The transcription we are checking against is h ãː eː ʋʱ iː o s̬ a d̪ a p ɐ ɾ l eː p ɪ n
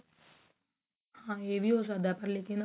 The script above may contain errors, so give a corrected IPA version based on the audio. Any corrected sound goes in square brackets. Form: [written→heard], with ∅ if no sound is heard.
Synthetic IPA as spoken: h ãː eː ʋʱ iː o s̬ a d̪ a p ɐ ɾ l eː [p→k] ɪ n

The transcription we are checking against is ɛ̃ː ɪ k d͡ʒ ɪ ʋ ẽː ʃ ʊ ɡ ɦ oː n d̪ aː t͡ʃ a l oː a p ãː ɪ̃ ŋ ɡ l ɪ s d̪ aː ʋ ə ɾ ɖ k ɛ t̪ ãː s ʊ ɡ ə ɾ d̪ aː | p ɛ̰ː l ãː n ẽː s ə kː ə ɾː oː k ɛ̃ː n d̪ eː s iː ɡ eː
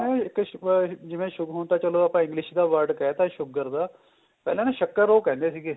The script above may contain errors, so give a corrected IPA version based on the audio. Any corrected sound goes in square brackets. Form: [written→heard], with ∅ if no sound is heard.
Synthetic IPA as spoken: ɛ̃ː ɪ k d͡ʒ ɪ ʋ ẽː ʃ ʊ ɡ ɦ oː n [d̪→t̪] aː t͡ʃ [a→ə] l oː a p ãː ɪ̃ ŋ ɡ l ɪ [s→ʃ] d̪ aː ʋ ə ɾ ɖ k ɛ t̪ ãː [s→ʃ] ʊ ɡ ə ɾ d̪ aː | p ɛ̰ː l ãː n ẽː [s→ʃ] ə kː ə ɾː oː k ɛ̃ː n d̪ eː s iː ɡ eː

